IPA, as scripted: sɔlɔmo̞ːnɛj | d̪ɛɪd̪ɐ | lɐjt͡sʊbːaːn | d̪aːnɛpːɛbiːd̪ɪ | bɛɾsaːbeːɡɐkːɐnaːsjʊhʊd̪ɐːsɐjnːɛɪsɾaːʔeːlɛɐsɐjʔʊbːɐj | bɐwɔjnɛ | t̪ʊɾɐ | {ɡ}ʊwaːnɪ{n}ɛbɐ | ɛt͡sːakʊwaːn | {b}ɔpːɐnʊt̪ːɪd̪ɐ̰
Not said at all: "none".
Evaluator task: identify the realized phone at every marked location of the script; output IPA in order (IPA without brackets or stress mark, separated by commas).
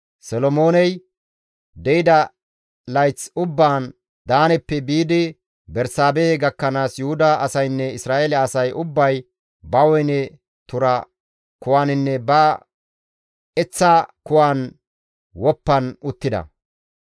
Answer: k, nː, w